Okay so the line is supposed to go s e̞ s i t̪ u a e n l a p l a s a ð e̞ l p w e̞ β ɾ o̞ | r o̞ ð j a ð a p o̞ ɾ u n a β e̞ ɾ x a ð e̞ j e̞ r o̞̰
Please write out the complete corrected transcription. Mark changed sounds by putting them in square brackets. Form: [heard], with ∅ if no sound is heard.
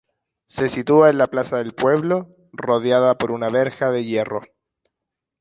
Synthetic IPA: s e̞ s i t̪ u a e n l a p l a s a ð e̞ l p w e̞ β [l] o̞ | r o̞ ð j a ð a p o̞ ɾ u n a β e̞ ɾ x a ð e̞ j e̞ r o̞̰